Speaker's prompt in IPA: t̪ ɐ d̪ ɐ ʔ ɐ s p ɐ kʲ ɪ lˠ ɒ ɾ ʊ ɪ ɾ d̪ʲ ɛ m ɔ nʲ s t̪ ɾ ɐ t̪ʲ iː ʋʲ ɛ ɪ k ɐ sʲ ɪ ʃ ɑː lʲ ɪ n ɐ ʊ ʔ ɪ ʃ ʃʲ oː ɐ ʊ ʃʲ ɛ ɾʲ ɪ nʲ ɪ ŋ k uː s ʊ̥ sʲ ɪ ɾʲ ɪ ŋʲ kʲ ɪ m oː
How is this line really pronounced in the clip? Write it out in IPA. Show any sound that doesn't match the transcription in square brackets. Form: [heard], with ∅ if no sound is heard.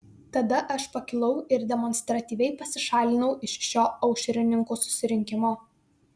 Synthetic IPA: t̪ ɐ d̪ ɐ ʔ ɐ [ʃ] p ɐ kʲ ɪ lˠ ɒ [∅] ʊ ɪ ɾ d̪ʲ ɛ m ɔ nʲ s t̪ ɾ ɐ t̪ʲ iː ʋʲ ɛ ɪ [p] ɐ sʲ ɪ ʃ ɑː lʲ ɪ n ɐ ʊ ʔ ɪ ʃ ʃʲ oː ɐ ʊ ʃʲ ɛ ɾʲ ɪ nʲ ɪ ŋ k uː s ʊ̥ sʲ ɪ ɾʲ ɪ ŋʲ kʲ ɪ m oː